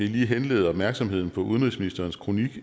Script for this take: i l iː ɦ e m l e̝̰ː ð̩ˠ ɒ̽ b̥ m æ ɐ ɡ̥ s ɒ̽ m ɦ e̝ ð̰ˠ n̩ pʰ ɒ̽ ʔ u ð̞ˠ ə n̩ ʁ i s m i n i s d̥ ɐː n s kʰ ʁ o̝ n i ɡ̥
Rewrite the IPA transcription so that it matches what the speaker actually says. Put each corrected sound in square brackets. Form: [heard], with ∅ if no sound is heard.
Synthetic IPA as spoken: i l iː ɦ e [n] l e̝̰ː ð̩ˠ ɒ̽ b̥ m æ ɐ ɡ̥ s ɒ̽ m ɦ e̝ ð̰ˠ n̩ pʰ ɒ̽ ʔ u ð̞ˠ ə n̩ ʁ i s m i n i s d̥ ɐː n s kʰ ʁ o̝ n i ɡ̥